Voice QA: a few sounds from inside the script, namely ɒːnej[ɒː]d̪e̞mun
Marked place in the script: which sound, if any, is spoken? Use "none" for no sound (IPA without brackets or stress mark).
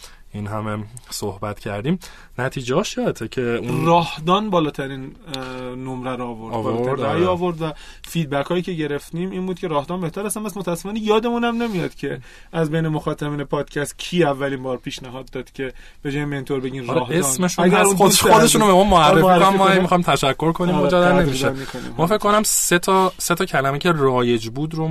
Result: ɒː